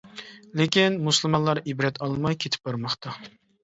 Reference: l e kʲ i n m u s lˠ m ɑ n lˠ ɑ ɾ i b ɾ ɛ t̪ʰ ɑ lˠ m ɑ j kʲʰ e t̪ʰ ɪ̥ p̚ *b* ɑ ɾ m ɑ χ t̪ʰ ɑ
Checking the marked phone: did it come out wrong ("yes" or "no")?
no